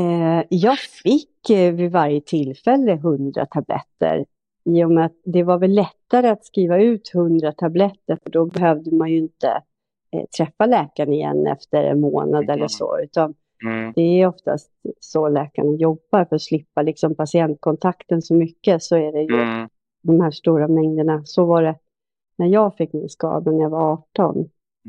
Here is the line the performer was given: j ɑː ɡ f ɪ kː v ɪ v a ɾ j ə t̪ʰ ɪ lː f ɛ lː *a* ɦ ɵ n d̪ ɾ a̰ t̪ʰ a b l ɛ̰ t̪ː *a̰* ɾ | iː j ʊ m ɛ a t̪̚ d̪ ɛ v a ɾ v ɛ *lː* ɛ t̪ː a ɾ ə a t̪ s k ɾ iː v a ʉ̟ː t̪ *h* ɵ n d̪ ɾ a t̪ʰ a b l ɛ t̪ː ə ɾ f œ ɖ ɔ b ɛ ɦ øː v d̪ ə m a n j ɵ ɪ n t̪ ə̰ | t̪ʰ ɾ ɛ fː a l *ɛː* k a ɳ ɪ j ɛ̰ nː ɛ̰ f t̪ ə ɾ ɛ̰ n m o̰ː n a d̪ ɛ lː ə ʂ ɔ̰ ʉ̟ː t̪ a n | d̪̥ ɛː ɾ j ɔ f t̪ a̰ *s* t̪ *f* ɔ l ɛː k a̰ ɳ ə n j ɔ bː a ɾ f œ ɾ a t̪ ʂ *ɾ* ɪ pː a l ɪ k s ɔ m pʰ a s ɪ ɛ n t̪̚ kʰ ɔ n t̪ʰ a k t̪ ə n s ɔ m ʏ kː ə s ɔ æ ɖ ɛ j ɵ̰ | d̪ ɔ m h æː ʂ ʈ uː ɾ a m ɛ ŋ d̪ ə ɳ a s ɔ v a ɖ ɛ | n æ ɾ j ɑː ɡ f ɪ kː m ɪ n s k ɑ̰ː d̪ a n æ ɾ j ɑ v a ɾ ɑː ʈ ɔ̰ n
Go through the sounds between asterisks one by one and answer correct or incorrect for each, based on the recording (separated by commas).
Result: incorrect, incorrect, correct, correct, correct, correct, incorrect, incorrect